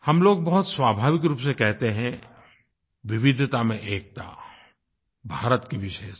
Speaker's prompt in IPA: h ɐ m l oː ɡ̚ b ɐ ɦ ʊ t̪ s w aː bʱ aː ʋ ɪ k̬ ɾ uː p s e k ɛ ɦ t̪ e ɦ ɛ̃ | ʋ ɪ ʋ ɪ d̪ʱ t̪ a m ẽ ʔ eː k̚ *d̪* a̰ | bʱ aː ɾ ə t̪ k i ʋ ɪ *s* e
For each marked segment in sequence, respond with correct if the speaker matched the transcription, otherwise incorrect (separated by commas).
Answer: incorrect, incorrect